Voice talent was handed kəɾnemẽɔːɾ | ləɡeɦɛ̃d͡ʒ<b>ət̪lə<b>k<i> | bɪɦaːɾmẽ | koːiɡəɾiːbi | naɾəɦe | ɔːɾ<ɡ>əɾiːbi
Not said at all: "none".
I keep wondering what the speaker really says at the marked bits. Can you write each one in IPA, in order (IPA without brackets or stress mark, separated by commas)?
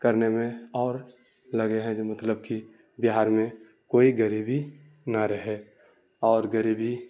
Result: m, b, i, ɡ